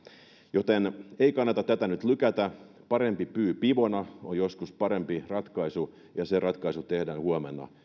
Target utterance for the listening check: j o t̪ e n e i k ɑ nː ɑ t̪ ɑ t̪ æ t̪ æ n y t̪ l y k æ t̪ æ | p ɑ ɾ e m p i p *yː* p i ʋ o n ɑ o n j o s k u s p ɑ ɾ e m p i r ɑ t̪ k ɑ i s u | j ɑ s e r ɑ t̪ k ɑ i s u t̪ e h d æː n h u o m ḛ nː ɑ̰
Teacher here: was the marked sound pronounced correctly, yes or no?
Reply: yes